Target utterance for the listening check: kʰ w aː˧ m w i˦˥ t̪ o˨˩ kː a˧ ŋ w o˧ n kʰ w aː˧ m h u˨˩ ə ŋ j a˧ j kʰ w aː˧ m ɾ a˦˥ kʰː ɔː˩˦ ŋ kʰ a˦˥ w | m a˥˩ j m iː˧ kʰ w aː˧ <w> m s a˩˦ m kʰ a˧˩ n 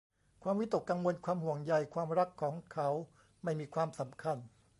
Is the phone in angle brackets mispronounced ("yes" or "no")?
yes